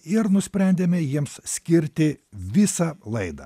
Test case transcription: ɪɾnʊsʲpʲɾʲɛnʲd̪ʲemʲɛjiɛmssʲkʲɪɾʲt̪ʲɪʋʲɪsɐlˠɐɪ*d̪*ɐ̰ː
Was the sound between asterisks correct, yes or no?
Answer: yes